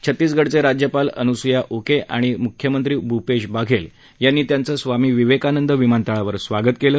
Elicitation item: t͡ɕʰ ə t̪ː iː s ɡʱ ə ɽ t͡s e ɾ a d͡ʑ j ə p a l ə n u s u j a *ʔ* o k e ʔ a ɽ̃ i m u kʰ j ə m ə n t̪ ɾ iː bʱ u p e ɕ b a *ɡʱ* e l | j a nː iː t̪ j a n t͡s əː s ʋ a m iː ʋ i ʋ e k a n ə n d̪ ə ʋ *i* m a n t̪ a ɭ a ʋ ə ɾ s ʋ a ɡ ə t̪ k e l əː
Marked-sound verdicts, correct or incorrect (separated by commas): correct, correct, correct